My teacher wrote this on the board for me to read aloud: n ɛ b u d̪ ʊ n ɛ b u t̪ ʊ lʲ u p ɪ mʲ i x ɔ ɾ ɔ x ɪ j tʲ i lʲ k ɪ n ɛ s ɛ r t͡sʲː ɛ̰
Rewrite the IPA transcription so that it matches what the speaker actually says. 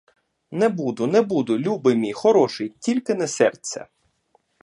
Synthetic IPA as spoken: n ɛ b u d̪ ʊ n ɛ b u d̪ ʊ lʲ u b ɪ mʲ i x ɔ ɾ ɔ ʃ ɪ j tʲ i lʲ k ɪ n ɛ s ɛ r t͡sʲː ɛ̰